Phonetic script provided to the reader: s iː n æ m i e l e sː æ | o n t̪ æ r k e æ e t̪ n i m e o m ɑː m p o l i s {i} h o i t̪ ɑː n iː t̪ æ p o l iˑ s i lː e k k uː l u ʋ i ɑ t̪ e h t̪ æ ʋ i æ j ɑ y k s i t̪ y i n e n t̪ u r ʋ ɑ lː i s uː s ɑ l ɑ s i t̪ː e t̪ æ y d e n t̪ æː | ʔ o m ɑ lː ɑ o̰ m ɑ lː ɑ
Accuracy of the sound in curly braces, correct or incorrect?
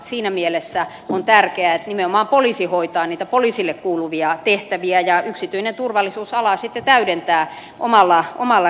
correct